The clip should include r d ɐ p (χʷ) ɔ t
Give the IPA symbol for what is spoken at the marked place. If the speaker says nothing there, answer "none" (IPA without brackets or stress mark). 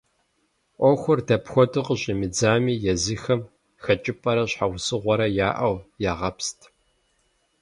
xʷ